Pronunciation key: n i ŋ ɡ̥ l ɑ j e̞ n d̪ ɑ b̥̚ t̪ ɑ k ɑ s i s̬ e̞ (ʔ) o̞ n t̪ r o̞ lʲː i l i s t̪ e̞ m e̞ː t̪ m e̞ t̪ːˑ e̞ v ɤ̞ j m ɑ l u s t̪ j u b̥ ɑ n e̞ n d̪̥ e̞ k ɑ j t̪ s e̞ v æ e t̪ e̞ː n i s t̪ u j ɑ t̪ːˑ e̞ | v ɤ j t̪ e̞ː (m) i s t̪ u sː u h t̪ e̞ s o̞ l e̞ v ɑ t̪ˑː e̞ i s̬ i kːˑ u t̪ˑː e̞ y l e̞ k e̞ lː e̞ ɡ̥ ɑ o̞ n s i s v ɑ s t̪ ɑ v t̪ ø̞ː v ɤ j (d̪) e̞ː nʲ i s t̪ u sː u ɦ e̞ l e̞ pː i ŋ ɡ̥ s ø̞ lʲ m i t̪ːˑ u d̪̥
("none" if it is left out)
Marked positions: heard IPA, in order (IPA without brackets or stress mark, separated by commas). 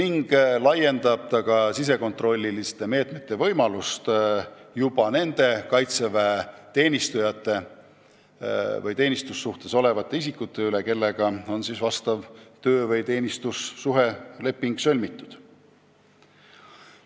k, n, t̪